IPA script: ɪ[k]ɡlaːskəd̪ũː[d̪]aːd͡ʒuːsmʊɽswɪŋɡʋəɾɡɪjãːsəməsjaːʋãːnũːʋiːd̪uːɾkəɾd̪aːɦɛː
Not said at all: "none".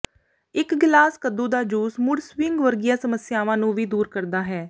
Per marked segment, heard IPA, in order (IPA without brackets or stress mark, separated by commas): k, d̪